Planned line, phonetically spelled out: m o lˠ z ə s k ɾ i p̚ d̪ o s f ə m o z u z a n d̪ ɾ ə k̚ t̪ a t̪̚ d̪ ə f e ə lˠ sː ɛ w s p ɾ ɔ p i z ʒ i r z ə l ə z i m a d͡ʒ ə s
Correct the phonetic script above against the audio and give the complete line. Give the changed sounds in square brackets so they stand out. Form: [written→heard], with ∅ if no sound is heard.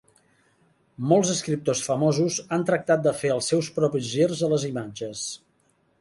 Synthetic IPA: m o lˠ z ə s k ɾ i p̚ [d̪→t̪] o s f ə m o z u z a n [d̪→t̪] ɾ ə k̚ t̪ a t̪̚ d̪ ə f e ə lˠ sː ɛ w s p ɾ ɔ p i z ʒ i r z ə l ə z i m a d͡ʒ ə s